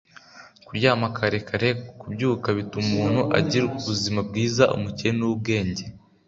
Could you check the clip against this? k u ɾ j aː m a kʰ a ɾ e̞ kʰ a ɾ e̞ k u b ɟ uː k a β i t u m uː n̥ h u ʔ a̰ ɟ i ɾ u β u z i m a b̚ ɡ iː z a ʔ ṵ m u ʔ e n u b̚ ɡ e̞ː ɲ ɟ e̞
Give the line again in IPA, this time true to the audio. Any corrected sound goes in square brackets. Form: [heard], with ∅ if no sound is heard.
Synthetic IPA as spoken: k u ɾ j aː m a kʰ a ɾ e̞ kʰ a ɾ e̞ k u b ɟ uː k a β i t u m uː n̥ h u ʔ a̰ ɟ i ɾ u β u z i m a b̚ ɡ iː z a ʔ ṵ m u [c] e n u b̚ ɡ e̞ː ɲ ɟ e̞